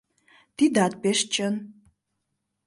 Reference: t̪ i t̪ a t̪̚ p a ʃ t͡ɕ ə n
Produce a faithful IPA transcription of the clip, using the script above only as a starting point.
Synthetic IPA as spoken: t̪ i d̪ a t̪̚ p e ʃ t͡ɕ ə n

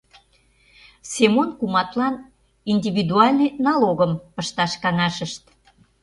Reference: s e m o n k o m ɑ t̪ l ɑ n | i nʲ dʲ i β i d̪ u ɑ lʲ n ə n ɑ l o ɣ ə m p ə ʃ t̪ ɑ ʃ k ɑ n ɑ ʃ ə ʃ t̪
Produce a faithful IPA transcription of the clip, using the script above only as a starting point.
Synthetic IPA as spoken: s e m o n k u m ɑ t̪ l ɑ n | i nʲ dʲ i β i d̪ u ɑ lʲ n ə n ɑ l o ɣ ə m p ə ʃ t̪ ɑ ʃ k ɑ n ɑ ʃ ə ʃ t̪

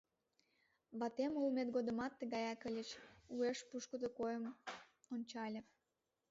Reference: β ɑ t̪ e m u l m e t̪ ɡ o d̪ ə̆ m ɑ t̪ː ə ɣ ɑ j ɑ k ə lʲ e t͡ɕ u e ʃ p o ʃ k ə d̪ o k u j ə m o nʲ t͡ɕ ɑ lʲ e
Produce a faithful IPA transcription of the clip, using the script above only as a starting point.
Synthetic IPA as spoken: β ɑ t̪ e m u l m e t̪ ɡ o d̪ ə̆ m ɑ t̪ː ə ɣ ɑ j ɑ k ə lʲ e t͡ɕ u e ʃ p u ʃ k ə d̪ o k o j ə m o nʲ t͡ɕ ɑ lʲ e

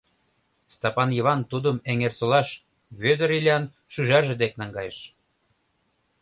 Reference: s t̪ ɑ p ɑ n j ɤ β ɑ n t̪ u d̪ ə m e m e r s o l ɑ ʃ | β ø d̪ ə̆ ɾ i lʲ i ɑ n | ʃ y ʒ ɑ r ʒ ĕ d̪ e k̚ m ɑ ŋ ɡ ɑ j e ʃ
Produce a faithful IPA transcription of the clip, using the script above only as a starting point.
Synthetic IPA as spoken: s t̪ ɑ p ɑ n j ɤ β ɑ n t̪ u d̪ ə m e ŋ e r s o l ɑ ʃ | β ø d̪ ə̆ ɾ i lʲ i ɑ n | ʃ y ʒ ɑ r ʒ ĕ d̪ e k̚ n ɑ ŋ ɡ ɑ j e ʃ

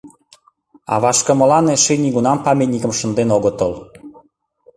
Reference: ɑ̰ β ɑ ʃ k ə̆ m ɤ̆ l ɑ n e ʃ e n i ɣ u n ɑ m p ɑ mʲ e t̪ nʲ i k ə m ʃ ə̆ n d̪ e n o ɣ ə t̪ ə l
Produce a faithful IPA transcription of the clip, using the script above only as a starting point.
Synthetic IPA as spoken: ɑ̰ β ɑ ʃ k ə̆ m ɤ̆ l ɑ n e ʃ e n i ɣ u n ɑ m p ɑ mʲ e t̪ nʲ i k ə m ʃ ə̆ n d̪ e n o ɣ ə t̪ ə l

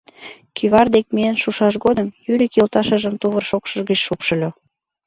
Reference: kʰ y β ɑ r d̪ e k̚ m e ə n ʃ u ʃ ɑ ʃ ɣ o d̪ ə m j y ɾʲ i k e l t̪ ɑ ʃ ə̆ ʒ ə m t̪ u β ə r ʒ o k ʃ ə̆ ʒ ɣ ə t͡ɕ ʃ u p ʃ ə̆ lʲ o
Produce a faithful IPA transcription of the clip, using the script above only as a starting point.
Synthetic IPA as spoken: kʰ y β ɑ r d̪ e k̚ m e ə n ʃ u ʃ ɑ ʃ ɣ o d̪ ə m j y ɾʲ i k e l t̪ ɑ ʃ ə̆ ʒ ə m t̪ u β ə r ʃ o k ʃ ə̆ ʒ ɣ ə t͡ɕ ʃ u p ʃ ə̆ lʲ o

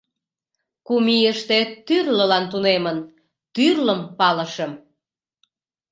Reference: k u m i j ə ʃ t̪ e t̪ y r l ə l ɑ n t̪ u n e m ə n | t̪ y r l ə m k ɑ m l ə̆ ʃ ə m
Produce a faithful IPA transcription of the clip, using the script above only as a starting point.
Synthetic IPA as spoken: k u m i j ə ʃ t̪ e t̪ y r l ə l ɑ n t̪ u n e m ə n | t̪ y r l ə m p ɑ l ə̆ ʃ ə m

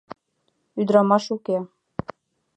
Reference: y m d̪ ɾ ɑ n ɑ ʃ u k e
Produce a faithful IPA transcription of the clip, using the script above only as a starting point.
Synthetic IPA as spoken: y d̪ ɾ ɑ m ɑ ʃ u k e

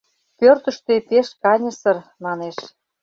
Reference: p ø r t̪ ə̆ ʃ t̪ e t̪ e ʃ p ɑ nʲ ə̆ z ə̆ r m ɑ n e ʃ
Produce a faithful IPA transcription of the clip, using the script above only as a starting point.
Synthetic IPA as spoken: p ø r t̪ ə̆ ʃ t̪ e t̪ e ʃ k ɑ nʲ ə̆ s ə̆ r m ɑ n e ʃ

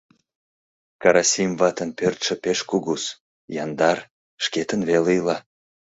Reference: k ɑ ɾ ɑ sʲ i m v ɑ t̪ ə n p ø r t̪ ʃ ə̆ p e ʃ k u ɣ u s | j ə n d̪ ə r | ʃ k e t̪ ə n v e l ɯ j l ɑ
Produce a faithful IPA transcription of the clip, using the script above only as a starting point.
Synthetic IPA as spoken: k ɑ ɾ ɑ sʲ i m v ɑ t̪ ə n p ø r t̪ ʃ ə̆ p e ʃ k u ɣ u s | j ɑ n d̪ ɑ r | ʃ k e t̪ ə n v e l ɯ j l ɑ

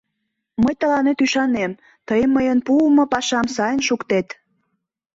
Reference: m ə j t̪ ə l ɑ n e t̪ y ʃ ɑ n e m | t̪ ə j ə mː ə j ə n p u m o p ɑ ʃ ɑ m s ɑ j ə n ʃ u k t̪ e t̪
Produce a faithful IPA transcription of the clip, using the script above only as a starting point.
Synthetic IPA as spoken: m ə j t̪ ə l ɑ n e t̪ y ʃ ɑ n e m | t̪ ə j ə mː ə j ə n p u m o p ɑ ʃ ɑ m s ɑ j ə n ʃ u k t̪ e t̪

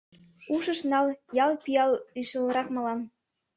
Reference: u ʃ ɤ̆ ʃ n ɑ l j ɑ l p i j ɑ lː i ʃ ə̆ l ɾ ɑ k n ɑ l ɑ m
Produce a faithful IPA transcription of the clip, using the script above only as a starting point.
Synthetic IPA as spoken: u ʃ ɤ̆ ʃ n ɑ l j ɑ l p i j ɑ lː i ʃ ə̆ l ɾ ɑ k m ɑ l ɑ m

